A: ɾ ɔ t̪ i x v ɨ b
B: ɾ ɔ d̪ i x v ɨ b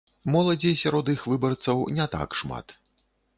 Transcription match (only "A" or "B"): B